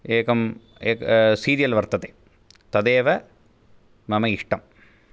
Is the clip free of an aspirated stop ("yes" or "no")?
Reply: yes